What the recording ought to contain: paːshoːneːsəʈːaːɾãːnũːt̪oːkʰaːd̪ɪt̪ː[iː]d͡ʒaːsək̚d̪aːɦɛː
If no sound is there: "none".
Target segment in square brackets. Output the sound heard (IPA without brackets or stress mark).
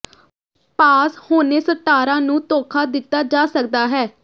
aː